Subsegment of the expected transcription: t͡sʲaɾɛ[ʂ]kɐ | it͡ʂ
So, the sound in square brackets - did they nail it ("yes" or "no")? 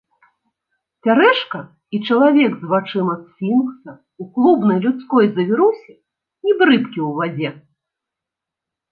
yes